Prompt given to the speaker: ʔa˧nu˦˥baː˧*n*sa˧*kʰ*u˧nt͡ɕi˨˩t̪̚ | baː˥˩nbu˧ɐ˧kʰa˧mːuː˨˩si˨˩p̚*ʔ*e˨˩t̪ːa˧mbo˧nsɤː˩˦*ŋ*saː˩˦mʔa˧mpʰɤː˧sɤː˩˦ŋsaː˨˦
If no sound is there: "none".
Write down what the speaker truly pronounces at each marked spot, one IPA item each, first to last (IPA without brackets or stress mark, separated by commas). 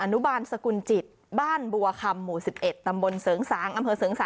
n, k, ʔ, ŋ